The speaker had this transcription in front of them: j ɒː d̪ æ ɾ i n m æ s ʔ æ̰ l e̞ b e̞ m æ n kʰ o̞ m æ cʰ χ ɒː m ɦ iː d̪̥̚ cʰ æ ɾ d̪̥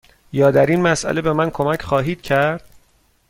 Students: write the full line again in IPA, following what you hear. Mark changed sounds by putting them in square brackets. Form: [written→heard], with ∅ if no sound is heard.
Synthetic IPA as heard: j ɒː d̪ æ ɾ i n m æ s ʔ æ̰ l e̞ b e̞ m æ n kʰ o̞ m æ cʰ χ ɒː [m→∅] ɦ iː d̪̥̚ cʰ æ ɾ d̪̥